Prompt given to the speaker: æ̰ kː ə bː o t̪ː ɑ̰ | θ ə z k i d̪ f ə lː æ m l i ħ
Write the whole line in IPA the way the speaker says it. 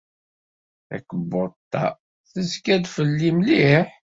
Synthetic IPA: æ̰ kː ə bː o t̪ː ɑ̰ | θ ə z k æ d̪ f ə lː i m l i ħ